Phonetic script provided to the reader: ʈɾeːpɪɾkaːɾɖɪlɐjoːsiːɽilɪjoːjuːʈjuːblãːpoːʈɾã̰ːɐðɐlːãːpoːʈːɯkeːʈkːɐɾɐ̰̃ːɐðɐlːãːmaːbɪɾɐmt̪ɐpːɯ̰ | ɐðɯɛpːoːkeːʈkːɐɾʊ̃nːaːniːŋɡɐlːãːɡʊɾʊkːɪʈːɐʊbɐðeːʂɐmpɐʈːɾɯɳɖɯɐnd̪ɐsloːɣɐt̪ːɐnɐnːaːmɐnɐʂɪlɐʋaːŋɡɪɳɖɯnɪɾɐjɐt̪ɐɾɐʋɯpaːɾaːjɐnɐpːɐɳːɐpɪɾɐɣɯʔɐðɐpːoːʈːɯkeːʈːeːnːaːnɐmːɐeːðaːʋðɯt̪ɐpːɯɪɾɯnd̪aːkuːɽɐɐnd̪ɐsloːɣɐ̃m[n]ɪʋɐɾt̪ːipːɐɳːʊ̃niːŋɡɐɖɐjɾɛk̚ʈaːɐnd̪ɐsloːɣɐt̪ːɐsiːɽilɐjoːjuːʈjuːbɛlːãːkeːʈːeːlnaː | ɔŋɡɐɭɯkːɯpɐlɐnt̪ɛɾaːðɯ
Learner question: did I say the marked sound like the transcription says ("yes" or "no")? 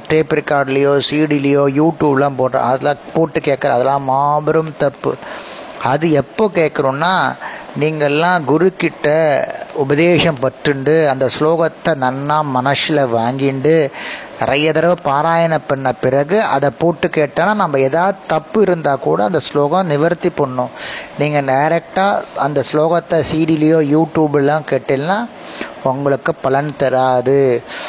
yes